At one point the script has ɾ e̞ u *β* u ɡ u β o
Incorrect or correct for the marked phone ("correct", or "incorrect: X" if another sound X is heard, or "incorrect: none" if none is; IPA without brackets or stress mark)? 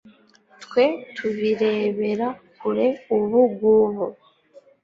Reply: correct